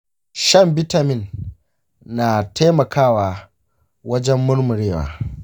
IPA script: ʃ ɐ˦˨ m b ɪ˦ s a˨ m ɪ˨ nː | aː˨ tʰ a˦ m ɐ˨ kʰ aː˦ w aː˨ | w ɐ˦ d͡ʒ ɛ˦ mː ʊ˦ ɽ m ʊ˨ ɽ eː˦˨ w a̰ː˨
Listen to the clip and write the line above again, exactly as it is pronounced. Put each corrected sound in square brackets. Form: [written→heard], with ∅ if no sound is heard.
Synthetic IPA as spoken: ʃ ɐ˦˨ m b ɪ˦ [s→t] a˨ m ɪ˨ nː | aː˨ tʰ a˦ m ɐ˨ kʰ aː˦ w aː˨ | w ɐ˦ d͡ʒ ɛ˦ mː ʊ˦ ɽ m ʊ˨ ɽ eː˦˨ w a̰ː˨